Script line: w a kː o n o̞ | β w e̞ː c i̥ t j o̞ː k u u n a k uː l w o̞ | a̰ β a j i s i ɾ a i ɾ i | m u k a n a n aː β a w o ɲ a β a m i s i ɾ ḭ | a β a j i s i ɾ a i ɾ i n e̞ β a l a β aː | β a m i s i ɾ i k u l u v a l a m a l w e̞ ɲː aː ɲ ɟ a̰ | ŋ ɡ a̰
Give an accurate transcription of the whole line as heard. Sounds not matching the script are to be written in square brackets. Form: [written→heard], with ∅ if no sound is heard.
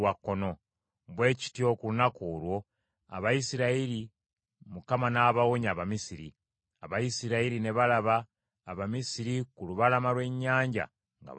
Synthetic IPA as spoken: w a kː o n o̞ | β w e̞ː c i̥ t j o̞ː k u u n a k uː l w o̞ | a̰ β a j i s i ɾ a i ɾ i | m u k a [n→m] a n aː β a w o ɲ a β a m i s i ɾ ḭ | a β a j i s i ɾ a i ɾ i n e̞ β a l a β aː | β a m i s i ɾ i k u l u [v→β] a l a m a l w e̞ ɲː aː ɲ ɟ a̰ | ŋ ɡ a̰